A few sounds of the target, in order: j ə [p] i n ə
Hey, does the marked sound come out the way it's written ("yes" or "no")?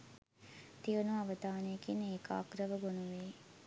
no